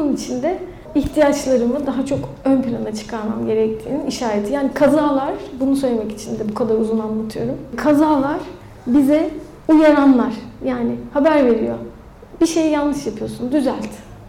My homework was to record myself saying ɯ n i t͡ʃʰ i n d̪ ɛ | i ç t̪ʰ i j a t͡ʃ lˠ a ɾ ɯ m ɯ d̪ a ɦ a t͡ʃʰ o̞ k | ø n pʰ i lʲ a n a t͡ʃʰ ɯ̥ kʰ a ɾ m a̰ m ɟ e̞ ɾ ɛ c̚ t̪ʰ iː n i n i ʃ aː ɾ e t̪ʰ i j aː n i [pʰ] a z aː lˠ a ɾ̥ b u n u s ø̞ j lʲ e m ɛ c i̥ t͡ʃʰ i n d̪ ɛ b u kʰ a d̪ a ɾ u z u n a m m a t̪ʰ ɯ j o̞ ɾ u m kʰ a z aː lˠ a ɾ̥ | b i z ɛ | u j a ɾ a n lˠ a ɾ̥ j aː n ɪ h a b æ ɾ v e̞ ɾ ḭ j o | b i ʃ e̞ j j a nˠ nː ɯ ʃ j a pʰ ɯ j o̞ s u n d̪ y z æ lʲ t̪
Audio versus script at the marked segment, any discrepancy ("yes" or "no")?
yes